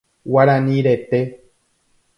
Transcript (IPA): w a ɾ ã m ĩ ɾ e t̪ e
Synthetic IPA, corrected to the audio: w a ɾ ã n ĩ ɾ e t̪ e